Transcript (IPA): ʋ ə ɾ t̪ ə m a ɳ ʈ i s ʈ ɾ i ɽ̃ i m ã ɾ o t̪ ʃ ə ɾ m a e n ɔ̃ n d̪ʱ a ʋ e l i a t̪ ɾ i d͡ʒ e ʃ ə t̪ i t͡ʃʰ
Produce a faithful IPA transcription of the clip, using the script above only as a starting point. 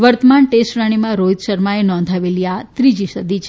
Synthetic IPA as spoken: ʋ ə ɾ t̪ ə m a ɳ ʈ e s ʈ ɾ a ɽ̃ i m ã ɾ o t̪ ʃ ə ɾ m a e n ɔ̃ n d̪ʱ a ʋ e l i a t̪ ɾ i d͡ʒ i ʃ ə d̪ i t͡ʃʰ

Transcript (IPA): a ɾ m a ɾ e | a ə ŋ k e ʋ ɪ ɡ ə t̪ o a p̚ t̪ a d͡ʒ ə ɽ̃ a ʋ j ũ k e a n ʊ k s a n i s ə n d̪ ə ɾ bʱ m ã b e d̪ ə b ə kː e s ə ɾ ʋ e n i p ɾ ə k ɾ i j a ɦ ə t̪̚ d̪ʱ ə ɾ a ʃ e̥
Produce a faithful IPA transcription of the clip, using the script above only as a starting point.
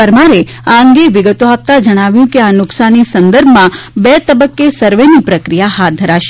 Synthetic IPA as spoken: ə ɾ m a ɾ e | a ə ŋ ɡ e ʋ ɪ ɡ ə t̪ o a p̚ t̪ a d͡ʒ ə ɽ̃ a ʋ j ũ k e a n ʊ k s a n i s ə n d̪ ə ɾ bʱ m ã b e t̪ ə b ə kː e s ə ɾ ʋ e n i p ɾ ə k ɾ i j a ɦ a t̪̚ d̪ʱ ə ɾ a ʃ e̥

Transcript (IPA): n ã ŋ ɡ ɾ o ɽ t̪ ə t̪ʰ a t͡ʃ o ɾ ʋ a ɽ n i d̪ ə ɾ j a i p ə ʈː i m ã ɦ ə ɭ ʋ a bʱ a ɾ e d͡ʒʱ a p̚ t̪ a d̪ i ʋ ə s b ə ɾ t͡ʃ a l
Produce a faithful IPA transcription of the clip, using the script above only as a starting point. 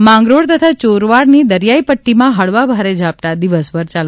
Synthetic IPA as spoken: m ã ŋ ɡ ɾ o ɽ t̪ ə t̪ʰ a t͡ʃ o ɾ ʋ a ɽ n i d̪ ə ɾ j a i p ə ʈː i m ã ɦ ə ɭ ʋ a bʱ a ɾ e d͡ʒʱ a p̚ t̪ a d̪ i ʋ ə s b ə ɾ t͡ʃ a l

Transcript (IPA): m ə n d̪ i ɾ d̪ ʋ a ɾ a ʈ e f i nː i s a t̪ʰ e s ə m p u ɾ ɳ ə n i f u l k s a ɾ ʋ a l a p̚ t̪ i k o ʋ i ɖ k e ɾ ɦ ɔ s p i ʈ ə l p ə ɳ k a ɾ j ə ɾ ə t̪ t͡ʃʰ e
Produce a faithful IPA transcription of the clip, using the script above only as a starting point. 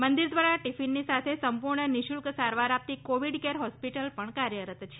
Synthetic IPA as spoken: m ə n d̪ i ɾ d̪ ʋ a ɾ a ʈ i f i nː i s a t̪ʰ e s ə m p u ɾ ɳ ə n i ʃ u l k s a ɾ ʋ a ɾ a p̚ t̪ i k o ʋ i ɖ k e ɾ ɦ ɔ s p i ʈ ə l p ə ɳ k a ɾ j ə ɾ ə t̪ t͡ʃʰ e

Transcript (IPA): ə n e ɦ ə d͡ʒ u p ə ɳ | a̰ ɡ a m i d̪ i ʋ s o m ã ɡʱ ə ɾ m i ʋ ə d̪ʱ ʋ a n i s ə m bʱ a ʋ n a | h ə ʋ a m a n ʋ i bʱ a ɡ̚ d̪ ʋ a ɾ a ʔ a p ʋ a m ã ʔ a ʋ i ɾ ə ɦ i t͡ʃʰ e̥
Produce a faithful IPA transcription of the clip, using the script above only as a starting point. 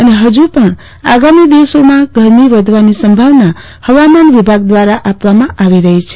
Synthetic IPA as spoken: ə n e ɦ ə d͡ʒ u p ə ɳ | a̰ ɡ a m i d̪ i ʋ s o m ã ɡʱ ə ɾ m i ʋ ə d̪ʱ ʋ a n i s ə m bʱ a ʋ n a | h ə ʋ a m a n ʋ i bʱ a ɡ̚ d̪ ʋ a ɾ a ʔ a p ʋ a m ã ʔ a ʋ i ɾ ə ɦ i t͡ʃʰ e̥

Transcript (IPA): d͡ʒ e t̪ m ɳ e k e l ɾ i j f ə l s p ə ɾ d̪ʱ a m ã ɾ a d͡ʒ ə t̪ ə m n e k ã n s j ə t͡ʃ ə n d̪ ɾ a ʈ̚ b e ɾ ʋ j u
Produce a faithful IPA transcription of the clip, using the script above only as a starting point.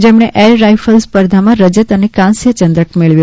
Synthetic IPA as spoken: d͡ʒ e m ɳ e ʔ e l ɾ a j f ə l s p ə ɾ d̪ʱ a m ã ɾ ə d͡ʒ ə t̪ ə n e k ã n s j ə t͡ʃ ə n d̪ ɾ ə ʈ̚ m e ɭ ʋ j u

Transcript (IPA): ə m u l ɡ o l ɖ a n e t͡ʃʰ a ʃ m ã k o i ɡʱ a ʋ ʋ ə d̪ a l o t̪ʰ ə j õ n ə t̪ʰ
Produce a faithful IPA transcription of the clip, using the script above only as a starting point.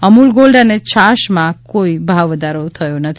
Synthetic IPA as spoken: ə m u l ɡ o l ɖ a n e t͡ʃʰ a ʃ m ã k o i bʱ a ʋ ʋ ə d̪ a ɾ o t̪ʰ ə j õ n ə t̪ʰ

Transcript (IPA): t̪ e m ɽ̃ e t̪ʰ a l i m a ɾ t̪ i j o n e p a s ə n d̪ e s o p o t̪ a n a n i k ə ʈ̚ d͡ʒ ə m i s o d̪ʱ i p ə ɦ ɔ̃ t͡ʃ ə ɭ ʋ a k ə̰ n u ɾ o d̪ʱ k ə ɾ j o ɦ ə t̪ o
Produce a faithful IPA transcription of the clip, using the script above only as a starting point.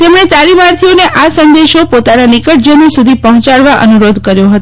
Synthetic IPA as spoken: t̪ e m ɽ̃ e t̪ a l i m a ɾ t̪ʰ i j o n e ʔ a s ə n d̪ e ʃ o p o t̪ a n a n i k ə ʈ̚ d͡ʒ ə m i s u d̪ʱ i p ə ɦ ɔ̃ t͡ʃ a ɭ ʋ a ʔ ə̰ n u ɾ o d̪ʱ k ə ɾ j o ɦ ə t̪ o

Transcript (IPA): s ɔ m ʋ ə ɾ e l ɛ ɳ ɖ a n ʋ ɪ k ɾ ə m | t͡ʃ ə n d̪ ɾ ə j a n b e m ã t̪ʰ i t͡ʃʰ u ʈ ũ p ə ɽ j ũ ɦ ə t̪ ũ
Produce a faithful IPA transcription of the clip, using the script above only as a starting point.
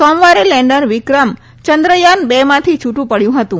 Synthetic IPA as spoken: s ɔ m ʋ a ɾ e l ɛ ɳ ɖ ə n ʋ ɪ k ɾ ə m | t͡ʃ ə n d̪ ɾ ə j a n b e m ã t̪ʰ i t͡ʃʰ u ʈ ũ p ə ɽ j ũ ɦ ə t̪ ũ

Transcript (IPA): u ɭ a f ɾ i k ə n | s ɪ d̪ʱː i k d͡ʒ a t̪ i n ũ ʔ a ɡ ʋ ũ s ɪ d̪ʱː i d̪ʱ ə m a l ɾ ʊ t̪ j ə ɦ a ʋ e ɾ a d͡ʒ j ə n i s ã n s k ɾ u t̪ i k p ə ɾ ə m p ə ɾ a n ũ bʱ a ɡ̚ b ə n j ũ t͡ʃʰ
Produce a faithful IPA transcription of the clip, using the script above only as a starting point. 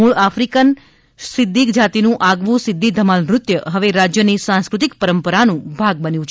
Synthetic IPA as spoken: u ɭ a f ɾ i k ə n | s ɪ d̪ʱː i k d͡ʒ a t̪ i n ũ ʔ a ɡ ʋ ũ s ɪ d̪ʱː i d̪ʱ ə m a l ɾ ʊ t̪ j ə ɦ ə ʋ e ɾ a d͡ʒ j ə n i s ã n s k ɾ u t̪ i k p ə ɾ ə m p ə ɾ a n ũ bʱ a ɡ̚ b ə n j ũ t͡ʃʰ

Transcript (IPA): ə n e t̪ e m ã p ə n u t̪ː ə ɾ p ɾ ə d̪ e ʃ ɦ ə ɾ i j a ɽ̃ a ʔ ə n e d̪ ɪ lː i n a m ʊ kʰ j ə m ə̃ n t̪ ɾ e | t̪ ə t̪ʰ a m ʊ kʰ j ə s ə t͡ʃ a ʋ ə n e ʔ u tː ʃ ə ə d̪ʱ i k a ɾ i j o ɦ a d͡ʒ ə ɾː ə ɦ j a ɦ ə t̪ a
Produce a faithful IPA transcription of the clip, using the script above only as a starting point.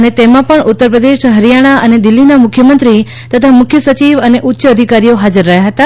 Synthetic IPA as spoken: ə n e t̪ e m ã p ə ɳ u t̪ː ə ɾ p ɾ ə d̪ e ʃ ɦ ə ɾ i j a ɽ̃ a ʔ ə n e d̪ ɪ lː i n a m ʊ kʰ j ə m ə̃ n t̪ ɾ i | t̪ ə t̪ʰ a m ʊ kʰ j ə s ə t͡ʃ i ʋ ə n e ʔ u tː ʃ ə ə d̪ʱ i k a ɾ i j o ɦ a d͡ʒ ə ɾː ə ɦ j a ɦ ə t̪ a

